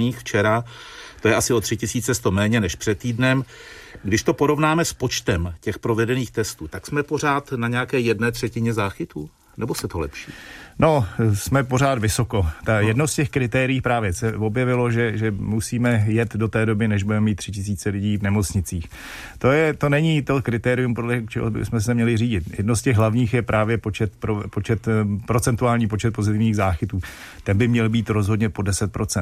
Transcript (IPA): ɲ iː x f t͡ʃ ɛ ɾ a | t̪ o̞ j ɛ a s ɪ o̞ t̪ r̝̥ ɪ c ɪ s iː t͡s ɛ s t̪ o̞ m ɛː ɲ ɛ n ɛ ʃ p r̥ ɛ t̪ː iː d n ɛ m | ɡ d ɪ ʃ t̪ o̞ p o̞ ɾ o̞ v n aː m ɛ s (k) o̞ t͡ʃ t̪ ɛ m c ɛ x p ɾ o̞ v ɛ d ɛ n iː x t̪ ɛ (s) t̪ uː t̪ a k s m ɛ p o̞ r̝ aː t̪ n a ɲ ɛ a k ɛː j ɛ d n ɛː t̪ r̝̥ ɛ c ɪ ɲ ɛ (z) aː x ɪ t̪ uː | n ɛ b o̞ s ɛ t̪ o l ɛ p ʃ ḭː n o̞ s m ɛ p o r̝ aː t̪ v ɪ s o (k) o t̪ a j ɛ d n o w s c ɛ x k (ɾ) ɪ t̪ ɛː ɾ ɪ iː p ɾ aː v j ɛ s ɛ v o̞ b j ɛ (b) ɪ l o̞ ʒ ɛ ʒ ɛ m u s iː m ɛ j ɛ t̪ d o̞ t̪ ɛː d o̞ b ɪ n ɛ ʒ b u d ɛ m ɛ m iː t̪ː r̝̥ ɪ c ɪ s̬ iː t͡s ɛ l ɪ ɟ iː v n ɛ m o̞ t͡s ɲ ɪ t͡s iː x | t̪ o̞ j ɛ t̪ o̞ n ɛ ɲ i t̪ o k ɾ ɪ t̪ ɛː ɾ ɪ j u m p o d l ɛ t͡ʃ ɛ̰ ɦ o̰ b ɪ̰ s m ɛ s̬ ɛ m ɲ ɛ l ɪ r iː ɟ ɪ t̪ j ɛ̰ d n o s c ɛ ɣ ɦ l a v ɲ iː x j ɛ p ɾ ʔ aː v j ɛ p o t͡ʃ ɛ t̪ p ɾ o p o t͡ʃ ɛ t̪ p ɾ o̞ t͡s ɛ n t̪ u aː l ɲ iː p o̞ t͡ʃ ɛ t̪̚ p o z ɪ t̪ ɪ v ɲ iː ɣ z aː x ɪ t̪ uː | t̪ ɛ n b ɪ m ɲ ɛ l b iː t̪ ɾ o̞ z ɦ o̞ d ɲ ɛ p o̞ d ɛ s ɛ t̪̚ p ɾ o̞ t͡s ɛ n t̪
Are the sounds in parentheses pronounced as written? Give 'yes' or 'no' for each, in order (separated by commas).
no, yes, yes, yes, yes, no